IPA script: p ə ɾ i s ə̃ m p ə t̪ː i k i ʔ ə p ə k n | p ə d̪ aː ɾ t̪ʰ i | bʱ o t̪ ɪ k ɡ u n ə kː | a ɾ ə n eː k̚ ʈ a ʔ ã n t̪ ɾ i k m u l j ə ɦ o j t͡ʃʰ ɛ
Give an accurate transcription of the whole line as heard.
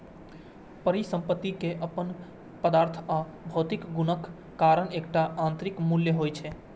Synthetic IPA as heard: p ə ɾ i s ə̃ m p ə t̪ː i k e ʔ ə p ə n | p ə d̪ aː ɾ t̪ʰ a | bʱ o t̪ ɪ k ɡ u n ə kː | a ɾ ə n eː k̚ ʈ a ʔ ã n t̪ ɾ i k m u l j ə ɦ o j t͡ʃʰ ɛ

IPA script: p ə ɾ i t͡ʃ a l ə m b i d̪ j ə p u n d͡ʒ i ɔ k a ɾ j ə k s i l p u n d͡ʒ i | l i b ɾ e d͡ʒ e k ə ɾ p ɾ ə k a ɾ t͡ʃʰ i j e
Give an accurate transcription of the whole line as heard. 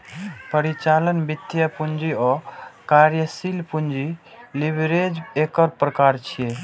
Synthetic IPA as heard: p ə ɾ i t͡ʃ a l ə n b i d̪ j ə p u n d͡ʒ i ɔ k a ɾ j ə s i l p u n d͡ʒ i | l i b ɾ e d͡ʒ e k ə ɾ p ɾ ə k a ɾ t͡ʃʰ i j e

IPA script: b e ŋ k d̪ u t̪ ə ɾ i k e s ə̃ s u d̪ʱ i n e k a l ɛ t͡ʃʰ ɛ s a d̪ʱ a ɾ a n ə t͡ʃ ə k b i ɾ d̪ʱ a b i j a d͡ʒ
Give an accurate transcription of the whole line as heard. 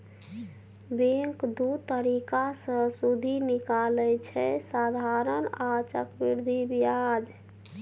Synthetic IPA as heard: b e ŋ k d̪ u t̪ ə ɾ i k a s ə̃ s u d̪ʱ i n i k a l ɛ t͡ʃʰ ɛ s a d̪ʱ a ɾ ə n a t͡ʃ ə k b i ɾ d̪ʱ i b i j a d͡ʒ

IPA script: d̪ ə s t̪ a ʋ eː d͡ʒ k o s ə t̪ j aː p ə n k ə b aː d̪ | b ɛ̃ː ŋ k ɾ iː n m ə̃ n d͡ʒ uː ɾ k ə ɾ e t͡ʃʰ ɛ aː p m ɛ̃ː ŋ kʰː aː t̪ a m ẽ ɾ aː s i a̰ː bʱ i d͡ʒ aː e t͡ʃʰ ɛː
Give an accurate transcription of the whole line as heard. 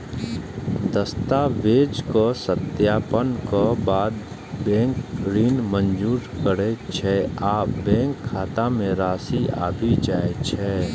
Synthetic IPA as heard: d̪ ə s t̪ a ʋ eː d͡ʒ k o s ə t̪ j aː p ə n k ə b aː d̪ | b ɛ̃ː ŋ k ɾ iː n m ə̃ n d͡ʒ uː ɾ k ə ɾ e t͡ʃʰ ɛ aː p b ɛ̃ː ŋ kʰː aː t̪ a m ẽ ɾ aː s i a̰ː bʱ i d͡ʒ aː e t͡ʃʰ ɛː

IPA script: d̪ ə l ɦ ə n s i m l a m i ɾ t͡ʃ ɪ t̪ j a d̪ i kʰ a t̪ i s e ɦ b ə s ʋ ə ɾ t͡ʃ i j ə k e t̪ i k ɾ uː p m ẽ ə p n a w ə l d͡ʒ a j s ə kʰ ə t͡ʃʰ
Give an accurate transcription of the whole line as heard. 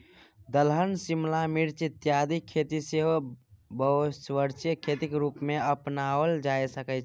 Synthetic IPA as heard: d̪ ə l ɦ ə n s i m l a m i ɾ t͡ʃ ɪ t̪ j a d̪ i kʰ e t̪ i s e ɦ b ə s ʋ ə ɾ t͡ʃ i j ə kʰ e t̪ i k ɾ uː p m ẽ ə p n a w ə l d͡ʒ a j s ə k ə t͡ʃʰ

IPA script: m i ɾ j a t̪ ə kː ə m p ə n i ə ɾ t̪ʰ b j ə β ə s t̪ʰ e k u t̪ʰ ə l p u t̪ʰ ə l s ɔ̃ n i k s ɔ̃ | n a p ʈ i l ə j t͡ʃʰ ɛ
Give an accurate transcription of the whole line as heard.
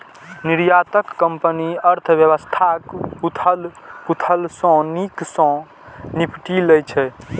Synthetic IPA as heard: n i ɾ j a t̪ ə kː ə m p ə n i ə ɾ t̪ʰ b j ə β ə s t̪ʰ a k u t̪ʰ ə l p u t̪ʰ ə l s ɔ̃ n i k s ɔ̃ | n i p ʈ i l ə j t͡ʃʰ ɛ

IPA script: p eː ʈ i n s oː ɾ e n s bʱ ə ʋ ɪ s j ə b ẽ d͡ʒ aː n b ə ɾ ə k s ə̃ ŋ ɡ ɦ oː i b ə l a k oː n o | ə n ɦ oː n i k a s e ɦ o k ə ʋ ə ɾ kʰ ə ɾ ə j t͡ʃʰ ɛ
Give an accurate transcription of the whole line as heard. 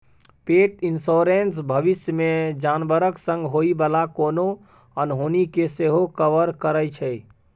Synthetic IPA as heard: p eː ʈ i n s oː ɾ e n s bʱ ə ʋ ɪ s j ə m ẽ d͡ʒ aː n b ə ɾ ə k s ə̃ ŋ ɡ ɦ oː i b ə l a k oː n o | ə n ɦ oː n i k e s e ɦ o k ə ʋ ə ɾ k ə ɾ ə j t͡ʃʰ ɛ

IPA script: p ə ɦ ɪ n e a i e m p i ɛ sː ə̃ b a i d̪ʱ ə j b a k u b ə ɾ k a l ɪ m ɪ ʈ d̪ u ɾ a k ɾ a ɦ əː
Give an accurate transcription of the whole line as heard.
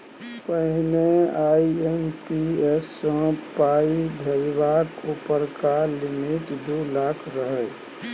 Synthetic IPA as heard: p ə ɦ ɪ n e a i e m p i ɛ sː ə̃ p a i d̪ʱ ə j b a k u p ə ɾ k a l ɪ m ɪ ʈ d̪ u l a kʰ ɾ ə ɦ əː

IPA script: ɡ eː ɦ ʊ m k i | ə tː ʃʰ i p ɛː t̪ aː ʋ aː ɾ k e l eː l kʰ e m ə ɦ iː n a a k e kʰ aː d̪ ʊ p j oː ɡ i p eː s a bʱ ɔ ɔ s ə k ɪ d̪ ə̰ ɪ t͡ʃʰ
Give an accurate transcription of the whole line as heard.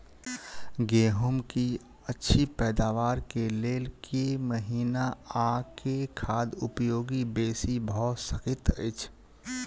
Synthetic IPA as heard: ɡ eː ɦ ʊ m k i | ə tː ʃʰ i p ɛː d̪ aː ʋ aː ɾ k e l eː l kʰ e m ə ɦ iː n a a k e kʰ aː d̪ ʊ p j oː ɡ i b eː s i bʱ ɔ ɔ s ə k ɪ t̪ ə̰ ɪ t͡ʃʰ

